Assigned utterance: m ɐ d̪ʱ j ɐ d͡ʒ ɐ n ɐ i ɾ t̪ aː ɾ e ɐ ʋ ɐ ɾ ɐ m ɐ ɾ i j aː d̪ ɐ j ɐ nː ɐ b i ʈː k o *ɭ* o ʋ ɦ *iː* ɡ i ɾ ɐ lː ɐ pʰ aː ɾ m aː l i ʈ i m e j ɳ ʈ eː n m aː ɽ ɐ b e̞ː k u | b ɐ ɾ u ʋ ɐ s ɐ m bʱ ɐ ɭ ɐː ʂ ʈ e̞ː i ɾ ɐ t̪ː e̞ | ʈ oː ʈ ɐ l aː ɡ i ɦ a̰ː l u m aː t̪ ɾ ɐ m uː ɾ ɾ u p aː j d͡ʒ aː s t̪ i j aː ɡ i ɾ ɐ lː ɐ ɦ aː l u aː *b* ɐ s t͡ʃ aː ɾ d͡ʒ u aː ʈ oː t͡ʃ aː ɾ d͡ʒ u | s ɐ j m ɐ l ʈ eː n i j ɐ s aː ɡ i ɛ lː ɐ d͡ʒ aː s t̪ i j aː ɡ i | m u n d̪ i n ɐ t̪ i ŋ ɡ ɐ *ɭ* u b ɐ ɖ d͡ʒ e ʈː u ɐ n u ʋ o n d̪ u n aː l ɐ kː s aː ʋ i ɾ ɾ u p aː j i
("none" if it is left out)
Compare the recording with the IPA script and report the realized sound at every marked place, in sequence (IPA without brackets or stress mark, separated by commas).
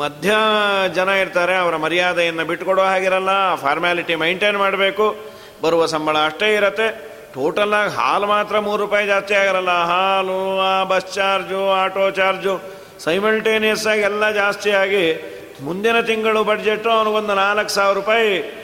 ɽ, aː, b, ɭ